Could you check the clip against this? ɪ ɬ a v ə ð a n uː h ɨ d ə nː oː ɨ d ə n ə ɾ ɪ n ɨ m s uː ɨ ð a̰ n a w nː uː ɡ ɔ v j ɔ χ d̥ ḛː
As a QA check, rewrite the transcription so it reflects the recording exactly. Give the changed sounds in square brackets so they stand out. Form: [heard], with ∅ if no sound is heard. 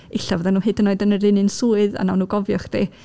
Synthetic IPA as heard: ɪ ɬ a v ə ð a n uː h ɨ d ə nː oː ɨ d ə n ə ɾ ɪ n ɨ [n] s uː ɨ ð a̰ n a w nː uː ɡ ɔ v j ɔ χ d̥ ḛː